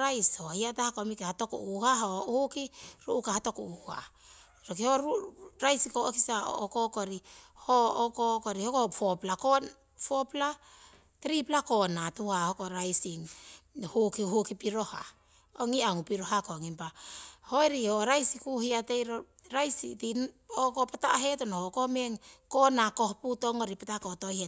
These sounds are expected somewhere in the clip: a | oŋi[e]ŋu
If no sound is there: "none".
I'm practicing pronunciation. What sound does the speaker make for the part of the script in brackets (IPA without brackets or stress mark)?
a